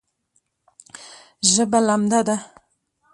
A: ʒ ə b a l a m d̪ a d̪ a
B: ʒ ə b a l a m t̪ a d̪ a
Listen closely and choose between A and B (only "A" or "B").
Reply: A